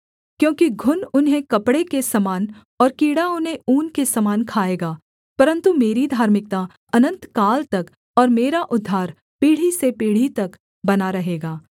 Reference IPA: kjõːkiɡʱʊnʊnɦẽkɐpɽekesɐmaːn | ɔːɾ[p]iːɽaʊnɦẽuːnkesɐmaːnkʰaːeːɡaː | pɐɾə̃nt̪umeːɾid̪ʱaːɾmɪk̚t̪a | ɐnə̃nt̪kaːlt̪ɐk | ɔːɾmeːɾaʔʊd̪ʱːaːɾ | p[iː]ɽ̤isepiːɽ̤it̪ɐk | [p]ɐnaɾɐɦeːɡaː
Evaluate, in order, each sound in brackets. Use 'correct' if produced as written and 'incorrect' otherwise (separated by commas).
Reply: incorrect, correct, incorrect